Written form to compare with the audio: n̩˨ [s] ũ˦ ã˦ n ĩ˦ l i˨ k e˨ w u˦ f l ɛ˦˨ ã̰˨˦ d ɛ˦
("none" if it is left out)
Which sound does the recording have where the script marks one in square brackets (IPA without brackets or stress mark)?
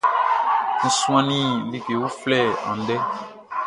s